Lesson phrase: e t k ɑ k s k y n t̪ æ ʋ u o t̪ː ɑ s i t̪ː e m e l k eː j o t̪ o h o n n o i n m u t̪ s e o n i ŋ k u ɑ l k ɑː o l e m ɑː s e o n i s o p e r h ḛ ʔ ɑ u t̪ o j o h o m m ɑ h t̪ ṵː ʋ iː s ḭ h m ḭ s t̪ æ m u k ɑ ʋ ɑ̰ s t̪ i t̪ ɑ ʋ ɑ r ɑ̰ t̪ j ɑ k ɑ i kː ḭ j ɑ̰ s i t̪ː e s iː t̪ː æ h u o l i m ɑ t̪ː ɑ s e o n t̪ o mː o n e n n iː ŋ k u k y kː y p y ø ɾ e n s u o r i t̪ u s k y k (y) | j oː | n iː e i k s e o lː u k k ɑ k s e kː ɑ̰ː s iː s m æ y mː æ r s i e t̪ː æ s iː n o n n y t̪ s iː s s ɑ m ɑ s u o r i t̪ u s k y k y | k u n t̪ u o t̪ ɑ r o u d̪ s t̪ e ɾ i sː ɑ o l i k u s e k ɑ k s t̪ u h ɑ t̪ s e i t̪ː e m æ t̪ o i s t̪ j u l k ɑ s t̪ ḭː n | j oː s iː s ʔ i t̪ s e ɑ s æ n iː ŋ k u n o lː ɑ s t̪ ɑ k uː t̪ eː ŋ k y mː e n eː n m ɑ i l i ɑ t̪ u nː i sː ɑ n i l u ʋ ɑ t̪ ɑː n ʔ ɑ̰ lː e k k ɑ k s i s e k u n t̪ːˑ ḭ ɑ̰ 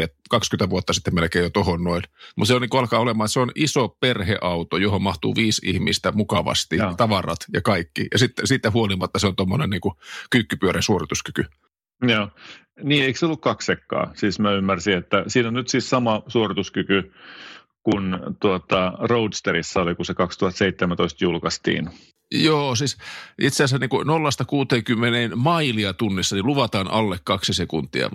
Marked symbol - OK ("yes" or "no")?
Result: yes